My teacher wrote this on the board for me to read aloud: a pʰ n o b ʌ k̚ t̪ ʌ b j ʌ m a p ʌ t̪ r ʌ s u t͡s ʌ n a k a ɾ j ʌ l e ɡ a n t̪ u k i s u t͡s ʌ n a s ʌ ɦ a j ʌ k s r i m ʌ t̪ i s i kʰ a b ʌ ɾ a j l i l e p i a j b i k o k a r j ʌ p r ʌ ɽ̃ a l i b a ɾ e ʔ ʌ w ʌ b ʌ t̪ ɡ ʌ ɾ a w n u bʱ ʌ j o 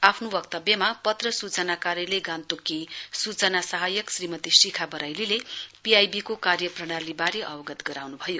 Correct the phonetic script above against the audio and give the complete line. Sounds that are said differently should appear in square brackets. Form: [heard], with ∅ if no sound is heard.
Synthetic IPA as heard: a pʰ n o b ʌ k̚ t̪ ʌ b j ʌ m a p ʌ t̪ r ʌ s u t͡s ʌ n a k a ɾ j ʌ l e ɡ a n t̪ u k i s u t͡s ʌ n a s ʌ ɦ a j ʌ k s r i m ʌ t̪ i s i kʰ a b ʌ ɾ a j l i l e p i a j b i k o k a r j ʌ p r ʌ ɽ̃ a l i b a ɾ e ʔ ʌ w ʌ [ɡ] ʌ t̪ ɡ ʌ ɾ a w n u bʱ ʌ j o